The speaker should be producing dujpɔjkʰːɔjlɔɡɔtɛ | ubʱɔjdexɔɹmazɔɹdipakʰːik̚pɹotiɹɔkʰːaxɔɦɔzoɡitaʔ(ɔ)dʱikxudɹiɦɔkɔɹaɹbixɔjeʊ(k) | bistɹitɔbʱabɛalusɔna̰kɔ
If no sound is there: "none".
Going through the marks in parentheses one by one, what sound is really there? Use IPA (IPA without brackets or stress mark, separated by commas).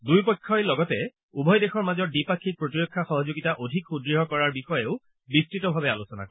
o, none